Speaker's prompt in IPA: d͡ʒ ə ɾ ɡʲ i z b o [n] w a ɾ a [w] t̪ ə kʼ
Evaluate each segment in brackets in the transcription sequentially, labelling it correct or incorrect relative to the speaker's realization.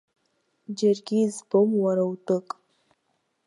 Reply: incorrect: m, correct

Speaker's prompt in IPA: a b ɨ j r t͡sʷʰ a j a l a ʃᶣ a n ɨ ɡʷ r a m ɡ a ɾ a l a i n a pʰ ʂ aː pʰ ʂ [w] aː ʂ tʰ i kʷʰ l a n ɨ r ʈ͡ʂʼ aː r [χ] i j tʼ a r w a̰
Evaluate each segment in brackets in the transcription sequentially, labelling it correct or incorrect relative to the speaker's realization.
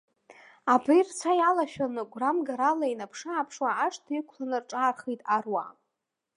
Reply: correct, correct

